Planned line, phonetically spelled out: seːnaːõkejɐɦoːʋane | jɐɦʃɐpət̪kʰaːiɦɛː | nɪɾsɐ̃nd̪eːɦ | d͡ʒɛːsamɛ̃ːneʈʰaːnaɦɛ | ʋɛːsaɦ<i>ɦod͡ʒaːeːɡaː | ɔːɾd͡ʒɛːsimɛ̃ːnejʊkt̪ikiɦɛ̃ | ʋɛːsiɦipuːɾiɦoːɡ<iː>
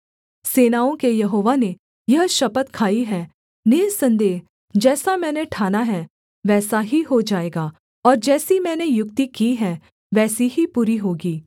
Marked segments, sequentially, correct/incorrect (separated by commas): correct, correct